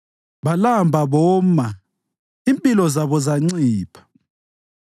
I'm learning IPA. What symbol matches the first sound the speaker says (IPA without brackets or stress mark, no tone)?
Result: β